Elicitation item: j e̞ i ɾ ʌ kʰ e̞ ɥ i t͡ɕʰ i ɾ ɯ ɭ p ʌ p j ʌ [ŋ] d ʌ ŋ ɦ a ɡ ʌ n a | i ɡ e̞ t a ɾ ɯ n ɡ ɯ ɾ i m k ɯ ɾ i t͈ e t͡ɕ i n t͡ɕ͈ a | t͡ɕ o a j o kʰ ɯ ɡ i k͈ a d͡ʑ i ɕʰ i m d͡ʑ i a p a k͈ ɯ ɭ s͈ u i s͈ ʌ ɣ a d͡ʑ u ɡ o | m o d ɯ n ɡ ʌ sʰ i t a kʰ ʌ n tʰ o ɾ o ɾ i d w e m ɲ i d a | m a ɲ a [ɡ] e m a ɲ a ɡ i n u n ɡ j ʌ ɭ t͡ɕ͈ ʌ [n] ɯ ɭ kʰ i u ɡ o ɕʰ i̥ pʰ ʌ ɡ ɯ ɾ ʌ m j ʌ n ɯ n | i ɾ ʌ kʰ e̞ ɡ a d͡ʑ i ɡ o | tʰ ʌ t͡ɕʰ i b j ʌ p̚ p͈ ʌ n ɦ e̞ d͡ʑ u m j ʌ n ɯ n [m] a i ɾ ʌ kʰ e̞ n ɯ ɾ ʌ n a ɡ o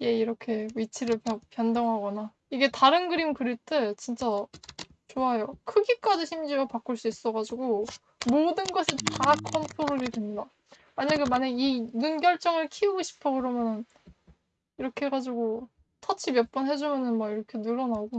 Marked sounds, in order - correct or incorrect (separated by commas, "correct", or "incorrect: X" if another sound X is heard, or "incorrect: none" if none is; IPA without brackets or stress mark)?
incorrect: n, correct, incorrect: ŋ, correct